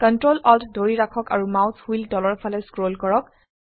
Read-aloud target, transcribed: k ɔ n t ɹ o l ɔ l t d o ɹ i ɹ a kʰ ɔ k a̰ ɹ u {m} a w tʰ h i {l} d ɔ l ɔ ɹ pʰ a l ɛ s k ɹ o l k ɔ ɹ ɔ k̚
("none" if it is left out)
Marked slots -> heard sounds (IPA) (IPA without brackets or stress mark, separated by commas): m, l